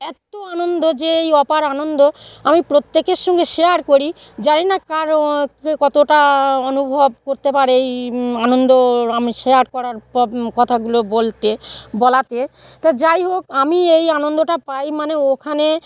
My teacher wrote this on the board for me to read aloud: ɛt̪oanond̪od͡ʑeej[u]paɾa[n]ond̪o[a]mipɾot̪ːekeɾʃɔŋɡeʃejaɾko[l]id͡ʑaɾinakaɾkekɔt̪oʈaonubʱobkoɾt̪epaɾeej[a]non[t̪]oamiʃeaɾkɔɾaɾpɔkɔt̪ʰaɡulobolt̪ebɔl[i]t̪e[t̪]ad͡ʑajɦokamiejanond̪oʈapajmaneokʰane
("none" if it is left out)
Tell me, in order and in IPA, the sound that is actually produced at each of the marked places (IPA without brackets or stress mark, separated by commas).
ɔ, n, a, ɾ, a, d̪, a, t̪